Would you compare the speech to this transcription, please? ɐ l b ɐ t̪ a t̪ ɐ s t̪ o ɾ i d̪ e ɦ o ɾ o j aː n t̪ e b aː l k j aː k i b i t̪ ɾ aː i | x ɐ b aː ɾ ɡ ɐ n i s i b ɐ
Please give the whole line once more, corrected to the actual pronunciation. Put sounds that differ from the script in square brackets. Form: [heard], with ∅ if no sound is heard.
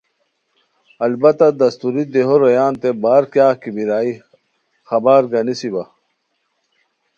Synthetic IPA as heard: ɐ l b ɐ t̪ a [d̪] ɐ s t̪ [u] ɾ i d̪ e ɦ o ɾ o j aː n t̪ e b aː [ɾ] k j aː k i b i [∅] ɾ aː i | x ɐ b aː ɾ ɡ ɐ n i s i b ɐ